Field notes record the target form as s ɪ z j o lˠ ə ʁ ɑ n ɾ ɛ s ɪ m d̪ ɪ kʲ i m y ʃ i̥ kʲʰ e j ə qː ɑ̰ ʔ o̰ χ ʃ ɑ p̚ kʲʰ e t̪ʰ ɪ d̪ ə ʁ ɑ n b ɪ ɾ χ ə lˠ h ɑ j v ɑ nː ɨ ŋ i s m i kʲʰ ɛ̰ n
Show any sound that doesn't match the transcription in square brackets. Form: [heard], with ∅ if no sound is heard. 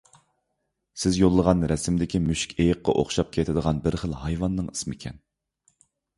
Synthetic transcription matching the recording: s ɪ z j o [lˠː] ə ʁ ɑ n ɾ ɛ s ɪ m d̪ ɪ kʲ i m y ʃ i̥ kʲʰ e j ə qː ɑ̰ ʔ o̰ χ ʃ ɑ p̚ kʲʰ e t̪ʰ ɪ d̪ ə ʁ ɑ n b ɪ ɾ χ ə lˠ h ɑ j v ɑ nː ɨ ŋ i s m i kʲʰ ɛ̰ n